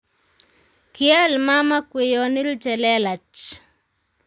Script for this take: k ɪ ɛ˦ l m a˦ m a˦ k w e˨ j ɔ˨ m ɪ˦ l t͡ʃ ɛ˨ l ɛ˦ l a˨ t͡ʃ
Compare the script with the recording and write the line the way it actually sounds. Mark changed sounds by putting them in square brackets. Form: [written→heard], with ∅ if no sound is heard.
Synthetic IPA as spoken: k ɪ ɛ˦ l m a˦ m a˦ k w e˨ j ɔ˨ [m→n] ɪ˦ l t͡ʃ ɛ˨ l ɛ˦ l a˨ t͡ʃ